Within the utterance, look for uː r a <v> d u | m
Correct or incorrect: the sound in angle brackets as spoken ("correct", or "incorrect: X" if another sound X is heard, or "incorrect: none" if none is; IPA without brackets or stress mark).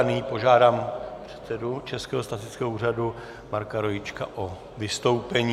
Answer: incorrect: none